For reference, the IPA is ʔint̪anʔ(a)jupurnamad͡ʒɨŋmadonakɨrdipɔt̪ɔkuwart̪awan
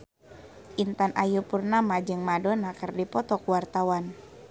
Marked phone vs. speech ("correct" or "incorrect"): correct